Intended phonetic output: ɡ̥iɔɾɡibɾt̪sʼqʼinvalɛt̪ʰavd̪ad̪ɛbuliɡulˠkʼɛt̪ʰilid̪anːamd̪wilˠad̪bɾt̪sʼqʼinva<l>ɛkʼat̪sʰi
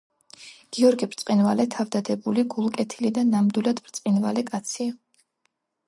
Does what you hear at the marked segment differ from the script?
no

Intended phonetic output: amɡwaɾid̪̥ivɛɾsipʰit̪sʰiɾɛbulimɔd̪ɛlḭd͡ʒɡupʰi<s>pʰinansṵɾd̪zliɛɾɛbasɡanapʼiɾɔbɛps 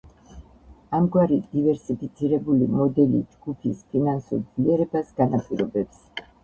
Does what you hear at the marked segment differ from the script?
no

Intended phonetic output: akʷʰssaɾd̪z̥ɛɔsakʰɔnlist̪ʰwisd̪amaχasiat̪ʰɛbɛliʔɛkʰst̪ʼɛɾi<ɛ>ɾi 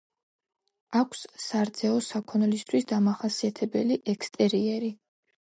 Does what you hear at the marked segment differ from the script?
no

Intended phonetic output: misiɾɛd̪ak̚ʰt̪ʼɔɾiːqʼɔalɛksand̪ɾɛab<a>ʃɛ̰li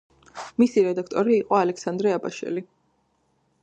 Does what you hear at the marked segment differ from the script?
no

